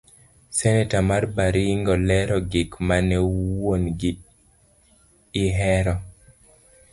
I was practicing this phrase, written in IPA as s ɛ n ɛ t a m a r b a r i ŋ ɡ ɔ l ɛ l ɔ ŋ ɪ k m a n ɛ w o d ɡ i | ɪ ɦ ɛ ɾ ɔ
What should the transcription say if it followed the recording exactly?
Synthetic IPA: s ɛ n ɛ t a m a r b a ɾ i ŋ ɡ ɔ l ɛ ɾ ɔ ɡ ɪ k m a n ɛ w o n ɡ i | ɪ ɦ ɛ ɾ ɔ